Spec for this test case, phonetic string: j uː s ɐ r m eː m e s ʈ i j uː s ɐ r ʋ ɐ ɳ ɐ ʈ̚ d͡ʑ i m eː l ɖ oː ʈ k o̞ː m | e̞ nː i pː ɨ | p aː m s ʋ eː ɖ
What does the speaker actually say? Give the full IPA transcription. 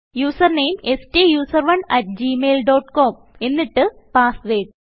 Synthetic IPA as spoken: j uː s ɐ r n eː m e s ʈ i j uː s ɐ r ʋ ɐ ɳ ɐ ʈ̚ d͡ʑ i m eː l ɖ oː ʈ k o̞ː m | e̞ nː i ʈː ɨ | p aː s ʋ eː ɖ